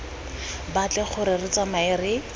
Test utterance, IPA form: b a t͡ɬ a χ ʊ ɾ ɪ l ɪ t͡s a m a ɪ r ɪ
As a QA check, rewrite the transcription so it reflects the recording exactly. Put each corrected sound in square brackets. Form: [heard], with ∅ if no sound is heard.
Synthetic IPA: b a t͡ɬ [ɛ] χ ʊ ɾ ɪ [r] ɪ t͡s a m a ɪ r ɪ